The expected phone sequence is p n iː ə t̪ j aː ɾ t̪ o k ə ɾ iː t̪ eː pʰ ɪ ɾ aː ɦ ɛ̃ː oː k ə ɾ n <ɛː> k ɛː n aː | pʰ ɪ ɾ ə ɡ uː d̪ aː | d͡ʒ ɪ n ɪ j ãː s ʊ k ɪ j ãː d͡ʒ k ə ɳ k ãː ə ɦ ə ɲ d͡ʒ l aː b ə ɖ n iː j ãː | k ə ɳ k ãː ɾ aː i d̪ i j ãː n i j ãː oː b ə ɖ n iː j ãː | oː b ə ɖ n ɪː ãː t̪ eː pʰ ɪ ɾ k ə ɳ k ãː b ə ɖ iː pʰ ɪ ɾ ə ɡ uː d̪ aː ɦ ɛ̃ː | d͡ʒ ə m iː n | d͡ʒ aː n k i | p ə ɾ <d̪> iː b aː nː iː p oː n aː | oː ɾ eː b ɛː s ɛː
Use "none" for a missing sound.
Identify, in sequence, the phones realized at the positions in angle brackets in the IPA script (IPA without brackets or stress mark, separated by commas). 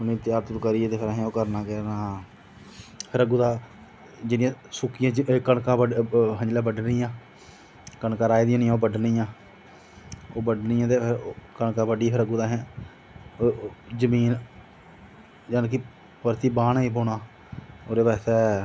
aː, t̪